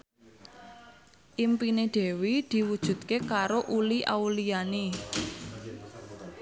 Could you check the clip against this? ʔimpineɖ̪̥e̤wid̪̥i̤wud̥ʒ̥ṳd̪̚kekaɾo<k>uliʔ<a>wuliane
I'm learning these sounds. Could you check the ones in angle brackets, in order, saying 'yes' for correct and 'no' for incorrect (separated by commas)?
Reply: no, yes